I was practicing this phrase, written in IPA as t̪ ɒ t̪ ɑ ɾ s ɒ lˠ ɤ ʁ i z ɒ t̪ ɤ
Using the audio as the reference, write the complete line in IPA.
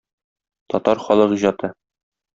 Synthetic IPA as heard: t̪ ɒ t̪ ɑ ɾ χ ɒ lˠ ɤ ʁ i ʑ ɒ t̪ ɤ